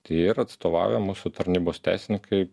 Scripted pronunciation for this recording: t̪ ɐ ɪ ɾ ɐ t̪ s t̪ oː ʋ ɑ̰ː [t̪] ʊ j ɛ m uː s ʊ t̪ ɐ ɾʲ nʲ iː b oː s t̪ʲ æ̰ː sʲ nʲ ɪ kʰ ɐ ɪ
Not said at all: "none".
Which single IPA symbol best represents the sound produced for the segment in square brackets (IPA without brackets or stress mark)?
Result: none